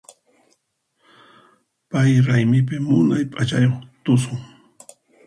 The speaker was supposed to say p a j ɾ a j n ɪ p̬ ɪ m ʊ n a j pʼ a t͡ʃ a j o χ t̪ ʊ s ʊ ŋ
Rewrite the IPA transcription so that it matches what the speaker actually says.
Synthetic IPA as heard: p a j ɾ a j m ɪ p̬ ɪ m ʊ n a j pʼ a t͡ʃ a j o χ t̪ ʊ s ʊ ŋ

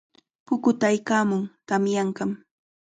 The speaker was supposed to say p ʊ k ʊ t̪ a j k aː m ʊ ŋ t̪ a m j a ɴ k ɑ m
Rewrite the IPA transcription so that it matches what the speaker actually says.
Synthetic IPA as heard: p ʊ k ʊ t̪ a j k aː m ʊ ŋ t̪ a m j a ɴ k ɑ m

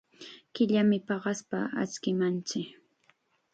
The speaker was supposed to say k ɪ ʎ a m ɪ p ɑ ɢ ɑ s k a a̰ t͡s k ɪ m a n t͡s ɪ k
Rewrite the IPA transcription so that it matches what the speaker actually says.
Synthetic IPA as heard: k ɪ ʎ a m ɪ p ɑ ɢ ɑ s p a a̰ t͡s k ɪ m a n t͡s ɪ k

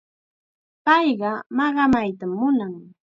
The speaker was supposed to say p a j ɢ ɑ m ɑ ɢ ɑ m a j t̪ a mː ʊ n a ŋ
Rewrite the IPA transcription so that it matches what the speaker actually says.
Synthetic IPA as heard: p ɑ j ɢ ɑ m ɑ ɢ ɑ m a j t̪ a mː ʊ n a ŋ

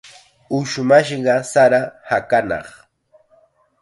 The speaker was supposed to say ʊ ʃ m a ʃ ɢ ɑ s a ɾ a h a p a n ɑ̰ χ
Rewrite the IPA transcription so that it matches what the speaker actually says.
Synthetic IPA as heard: ʊ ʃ m a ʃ ɢ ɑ s a ɾ a h a k a n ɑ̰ χ

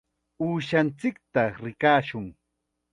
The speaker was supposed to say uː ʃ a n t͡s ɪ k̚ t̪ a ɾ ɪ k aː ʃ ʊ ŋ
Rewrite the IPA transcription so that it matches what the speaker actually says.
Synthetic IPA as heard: uː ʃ a n t͡s ɪ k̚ t̪ a ɾ ɪ k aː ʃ ʊ ŋ

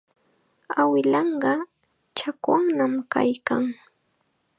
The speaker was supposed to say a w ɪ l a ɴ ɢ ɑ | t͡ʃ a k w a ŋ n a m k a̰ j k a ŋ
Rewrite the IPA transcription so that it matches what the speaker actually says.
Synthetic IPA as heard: a w ɪ l ɑ ɴ ɢ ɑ | t͡ʃ a k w a ŋ n a m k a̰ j k a ŋ

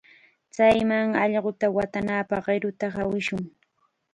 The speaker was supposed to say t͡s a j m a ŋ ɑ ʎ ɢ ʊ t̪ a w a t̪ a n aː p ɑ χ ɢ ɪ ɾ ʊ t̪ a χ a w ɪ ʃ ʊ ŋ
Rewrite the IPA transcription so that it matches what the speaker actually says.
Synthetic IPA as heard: t͡s a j m a ŋ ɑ ʎ ɢ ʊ t̪ a w a t̪ a n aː p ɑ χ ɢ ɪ ɾ ʊ t̪ a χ a w ɪ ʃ ʊ ŋ

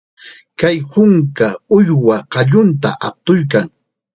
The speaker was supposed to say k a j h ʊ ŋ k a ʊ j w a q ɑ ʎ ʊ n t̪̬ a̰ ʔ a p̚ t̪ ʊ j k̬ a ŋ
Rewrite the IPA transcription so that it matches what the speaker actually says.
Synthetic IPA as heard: k a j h ʊ ŋ k a ʊ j w a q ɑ ʎ ʊ n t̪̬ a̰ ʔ a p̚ t̪ ʊ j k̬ a ŋ

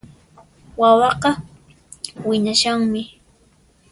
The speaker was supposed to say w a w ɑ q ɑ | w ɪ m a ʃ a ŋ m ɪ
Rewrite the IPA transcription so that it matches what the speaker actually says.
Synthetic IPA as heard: w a w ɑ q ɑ | w ɪ ɲ a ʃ a ŋ m ɪ

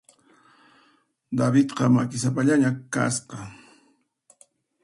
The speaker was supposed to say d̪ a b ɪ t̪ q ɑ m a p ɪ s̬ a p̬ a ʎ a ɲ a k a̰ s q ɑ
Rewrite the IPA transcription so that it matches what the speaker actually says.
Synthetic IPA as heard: d̪ a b ɪ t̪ q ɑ m a k ɪ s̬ a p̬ a ʎ a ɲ a k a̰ s q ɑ

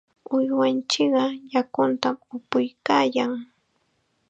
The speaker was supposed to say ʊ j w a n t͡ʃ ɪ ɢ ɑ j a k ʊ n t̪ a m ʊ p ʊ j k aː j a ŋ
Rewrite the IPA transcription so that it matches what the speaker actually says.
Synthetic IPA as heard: ʊ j w a n t͡ʃ ɪ ɢ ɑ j a k ʊ n t̪ a m ʊ p ʊ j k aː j a ŋ

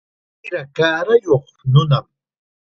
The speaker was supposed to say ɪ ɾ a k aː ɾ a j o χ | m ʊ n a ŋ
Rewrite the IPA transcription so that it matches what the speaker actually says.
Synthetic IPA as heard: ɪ ɾ a k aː ɾ a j o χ | n ʊ n a m

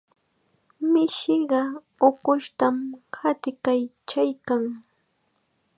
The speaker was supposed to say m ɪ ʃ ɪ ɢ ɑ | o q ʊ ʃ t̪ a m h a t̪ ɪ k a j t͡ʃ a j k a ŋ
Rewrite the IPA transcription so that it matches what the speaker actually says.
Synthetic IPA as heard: m ɪ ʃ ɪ ɢ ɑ | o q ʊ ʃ t̪ a m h a t̪ ɪ k a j t͡ʃ a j k a ŋ

